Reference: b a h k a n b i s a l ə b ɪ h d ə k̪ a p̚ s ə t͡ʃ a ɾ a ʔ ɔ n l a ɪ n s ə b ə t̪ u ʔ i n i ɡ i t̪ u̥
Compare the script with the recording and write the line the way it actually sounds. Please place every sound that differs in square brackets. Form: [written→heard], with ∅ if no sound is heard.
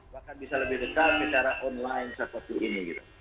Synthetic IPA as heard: b a h k a n b i s a l ə b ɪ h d ə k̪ a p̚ s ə t͡ʃ a ɾ a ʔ ɔ n l a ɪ n s ə [b→p] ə t̪ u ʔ i n i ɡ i t̪ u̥